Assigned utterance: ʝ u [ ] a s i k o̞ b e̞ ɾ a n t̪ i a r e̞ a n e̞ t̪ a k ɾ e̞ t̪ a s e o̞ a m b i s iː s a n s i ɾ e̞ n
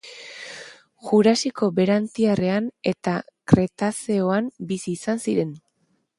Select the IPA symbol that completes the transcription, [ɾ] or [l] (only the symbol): ɾ